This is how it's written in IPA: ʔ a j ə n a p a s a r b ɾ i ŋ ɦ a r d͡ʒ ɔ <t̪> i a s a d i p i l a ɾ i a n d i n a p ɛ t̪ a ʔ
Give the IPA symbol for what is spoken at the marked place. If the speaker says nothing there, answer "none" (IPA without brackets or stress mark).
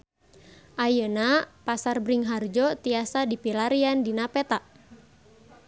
t̪